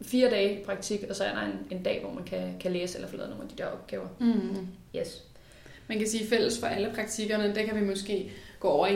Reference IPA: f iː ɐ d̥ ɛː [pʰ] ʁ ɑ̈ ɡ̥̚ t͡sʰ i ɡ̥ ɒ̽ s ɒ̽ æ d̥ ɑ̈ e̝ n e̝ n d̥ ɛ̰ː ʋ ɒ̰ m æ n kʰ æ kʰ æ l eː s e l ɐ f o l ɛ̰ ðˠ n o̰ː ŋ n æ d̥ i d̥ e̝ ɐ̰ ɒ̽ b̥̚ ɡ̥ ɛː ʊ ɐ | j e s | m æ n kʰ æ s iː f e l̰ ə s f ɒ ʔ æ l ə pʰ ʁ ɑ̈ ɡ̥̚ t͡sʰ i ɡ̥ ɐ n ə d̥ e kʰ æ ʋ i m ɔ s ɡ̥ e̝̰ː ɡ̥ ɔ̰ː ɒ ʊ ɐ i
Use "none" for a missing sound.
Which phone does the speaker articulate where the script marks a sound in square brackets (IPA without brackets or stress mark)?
pʰ